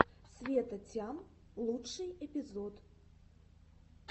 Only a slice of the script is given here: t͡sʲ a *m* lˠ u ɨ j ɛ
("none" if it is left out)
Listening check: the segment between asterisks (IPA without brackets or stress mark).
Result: m